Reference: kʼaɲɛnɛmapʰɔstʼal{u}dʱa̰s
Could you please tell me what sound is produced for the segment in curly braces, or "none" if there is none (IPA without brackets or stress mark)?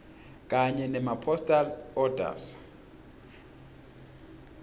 ɔ